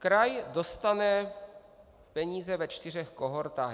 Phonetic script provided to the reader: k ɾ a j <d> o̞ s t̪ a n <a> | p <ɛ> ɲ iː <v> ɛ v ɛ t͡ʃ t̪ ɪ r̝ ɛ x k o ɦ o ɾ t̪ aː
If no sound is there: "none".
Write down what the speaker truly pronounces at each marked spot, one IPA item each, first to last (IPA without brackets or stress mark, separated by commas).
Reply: d, ɛ, ɛ, z